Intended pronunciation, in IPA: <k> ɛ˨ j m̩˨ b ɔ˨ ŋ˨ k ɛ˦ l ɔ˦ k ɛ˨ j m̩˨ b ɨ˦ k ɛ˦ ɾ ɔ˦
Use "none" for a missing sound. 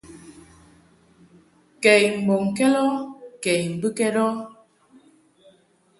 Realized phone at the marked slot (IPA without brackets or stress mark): k